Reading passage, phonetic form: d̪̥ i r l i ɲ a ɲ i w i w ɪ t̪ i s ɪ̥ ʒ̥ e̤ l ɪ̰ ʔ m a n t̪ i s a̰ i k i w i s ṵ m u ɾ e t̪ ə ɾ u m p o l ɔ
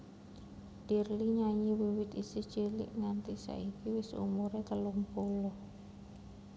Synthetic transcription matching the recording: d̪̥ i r l i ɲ a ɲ i w i w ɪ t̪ i s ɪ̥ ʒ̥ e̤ l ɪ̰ ʔ ŋ a n t̪ i s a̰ i k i w ɪ s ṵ m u ɾ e t̪ ə l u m p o l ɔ

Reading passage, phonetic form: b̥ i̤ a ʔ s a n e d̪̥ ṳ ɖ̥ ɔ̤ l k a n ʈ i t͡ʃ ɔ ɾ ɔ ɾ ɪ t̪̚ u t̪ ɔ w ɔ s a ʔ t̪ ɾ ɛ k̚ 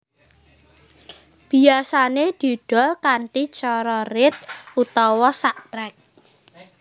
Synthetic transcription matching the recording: b̥ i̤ a s a n e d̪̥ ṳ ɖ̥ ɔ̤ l k a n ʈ i t͡ʃ ɔ ɾ ɔ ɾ ɪ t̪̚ u t̪ ɔ w ɔ s a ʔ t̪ ɾ ɛ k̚

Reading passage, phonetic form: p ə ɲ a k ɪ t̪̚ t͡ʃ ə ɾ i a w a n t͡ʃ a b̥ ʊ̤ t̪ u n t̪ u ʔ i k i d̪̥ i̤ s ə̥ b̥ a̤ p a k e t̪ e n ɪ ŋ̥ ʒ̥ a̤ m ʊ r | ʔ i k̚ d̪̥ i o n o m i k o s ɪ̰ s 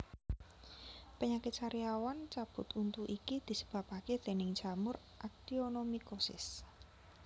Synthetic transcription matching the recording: p ə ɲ a k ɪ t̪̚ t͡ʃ a ɾ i a w a n t͡ʃ a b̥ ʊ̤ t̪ u n t̪ u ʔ i k i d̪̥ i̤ s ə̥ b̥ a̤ p a k e t̪ e n ɪ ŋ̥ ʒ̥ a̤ m ʊ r | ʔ a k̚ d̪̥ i o n o m i k o s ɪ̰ s

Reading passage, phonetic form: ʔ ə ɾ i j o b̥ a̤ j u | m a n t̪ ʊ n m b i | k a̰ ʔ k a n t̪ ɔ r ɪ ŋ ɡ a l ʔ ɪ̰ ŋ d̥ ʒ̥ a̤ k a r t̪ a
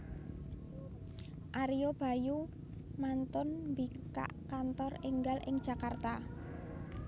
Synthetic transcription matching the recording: ʔ a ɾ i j o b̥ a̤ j u | m a n t̪ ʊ n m b i | k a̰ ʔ k a n t̪ ɔ r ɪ ŋ ɡ a l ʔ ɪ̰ ŋ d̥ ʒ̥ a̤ k a r t̪ a

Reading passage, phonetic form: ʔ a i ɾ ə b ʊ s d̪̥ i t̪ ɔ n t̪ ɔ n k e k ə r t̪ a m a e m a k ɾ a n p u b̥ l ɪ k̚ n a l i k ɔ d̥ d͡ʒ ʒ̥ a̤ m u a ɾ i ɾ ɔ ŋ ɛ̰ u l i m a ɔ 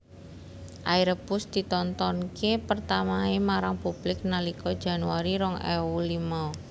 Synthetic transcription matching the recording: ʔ a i ɾ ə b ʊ s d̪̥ i t̪ ɔ n t̪ ɔ n k e p ə r t̪ a m a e m a ɾ a ŋ p u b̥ l ɪ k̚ n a l i k ɔ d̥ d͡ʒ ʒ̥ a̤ n u a ɾ i ɾ ɔ ŋ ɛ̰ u l i m a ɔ

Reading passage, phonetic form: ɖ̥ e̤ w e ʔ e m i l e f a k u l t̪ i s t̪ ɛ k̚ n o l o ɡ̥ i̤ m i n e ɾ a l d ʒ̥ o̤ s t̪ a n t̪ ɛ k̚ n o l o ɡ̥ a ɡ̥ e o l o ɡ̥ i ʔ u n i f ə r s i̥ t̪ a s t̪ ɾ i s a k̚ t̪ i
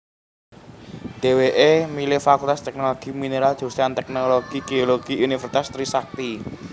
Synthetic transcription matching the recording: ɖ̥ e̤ w e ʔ e m i l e f a k u l t̪ a s t̪ ɛ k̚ n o l o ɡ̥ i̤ m i n e ɾ a l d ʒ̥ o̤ s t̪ a n t̪ ɛ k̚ n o l o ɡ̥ i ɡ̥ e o l o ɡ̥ i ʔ u n i f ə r s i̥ t̪ a s t̪ ɾ i s a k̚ t̪ i

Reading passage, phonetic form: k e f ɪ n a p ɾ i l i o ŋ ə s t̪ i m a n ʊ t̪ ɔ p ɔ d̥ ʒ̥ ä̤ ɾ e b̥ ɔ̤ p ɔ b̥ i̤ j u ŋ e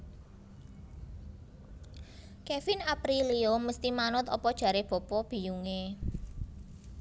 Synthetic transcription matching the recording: k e f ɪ n a p ɾ i l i o m ə s t̪ i m a n ʊ t̪ ɔ p ɔ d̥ ʒ̥ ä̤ ɾ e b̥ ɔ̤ p ɔ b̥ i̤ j u ŋ e

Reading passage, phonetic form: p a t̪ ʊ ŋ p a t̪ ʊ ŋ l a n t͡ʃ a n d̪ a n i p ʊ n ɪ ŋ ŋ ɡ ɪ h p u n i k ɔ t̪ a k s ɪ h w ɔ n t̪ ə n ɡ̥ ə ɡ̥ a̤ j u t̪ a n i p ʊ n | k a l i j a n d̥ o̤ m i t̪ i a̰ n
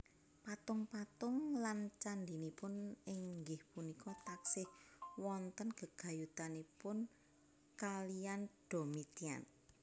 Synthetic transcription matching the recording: p a t̪ ʊ ŋ p a t̪ ʊ ŋ l a n t͡ʃ a n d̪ i n i p ʊ n ɪ ŋ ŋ ɡ ɪ h p u n i k ɔ t̪ a k s ɪ h w ɔ n t̪ ə n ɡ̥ ə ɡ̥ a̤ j u t̪ a n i p ʊ n | k a l i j a n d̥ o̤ m i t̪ i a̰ n

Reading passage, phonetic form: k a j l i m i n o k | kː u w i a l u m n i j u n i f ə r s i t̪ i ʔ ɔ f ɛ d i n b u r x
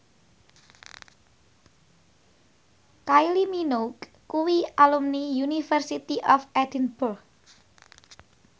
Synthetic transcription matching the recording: k a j l i m i n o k | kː u w i a l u m n i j u n i f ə r s i t̪ i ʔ ɔ f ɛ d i n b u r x

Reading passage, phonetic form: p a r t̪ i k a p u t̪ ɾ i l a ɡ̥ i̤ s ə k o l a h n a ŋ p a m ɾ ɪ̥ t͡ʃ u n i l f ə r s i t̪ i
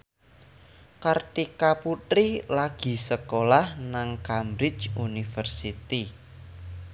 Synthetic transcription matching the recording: k a r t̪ i k a p u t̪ ɾ i l a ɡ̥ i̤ s ə k o l a h n a ŋ k a m ɾ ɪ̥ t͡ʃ u n i f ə r s i t̪ i

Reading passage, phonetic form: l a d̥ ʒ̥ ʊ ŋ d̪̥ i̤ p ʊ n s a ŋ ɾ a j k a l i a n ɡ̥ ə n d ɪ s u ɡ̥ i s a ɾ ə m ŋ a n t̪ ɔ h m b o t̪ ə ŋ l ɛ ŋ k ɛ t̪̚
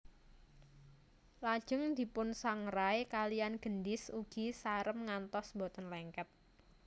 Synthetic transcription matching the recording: l a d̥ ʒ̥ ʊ ŋ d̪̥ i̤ p ʊ n s a ŋ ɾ a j k a l i a n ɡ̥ ə n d ɪ s u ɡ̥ i s a ɾ ə m ŋ a n t̪ ɔ s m b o t̪ ə n l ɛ ŋ k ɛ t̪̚

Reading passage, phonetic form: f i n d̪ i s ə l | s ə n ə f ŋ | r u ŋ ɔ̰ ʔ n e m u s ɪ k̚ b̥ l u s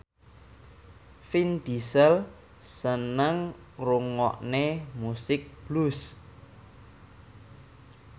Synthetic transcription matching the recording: f i n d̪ i s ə l | s ə n ə ŋ | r u ŋ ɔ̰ ʔ n e m u s ɪ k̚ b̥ l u s

